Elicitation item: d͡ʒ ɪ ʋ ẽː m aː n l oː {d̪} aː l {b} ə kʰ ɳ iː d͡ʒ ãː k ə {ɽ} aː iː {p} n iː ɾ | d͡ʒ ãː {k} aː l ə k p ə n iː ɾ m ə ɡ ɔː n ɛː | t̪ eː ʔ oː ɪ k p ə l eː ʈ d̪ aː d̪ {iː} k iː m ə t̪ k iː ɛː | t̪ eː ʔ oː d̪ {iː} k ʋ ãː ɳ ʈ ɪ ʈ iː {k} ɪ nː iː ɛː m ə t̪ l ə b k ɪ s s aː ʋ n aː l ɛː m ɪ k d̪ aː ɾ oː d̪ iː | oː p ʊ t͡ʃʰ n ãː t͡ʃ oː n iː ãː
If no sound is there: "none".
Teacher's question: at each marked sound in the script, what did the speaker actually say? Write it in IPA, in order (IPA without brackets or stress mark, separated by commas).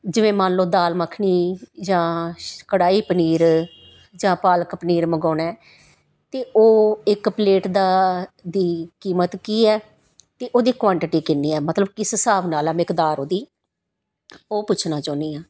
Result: d̪, m, ɽ, p, p, iː, iː, k